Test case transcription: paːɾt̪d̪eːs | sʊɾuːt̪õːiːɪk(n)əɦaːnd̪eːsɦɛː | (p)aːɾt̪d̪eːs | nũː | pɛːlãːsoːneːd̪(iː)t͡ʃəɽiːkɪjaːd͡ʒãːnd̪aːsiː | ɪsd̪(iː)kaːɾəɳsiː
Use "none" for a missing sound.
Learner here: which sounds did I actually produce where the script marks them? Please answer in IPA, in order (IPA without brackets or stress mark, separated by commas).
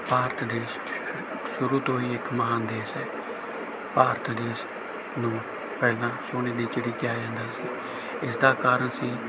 m, p, iː, aː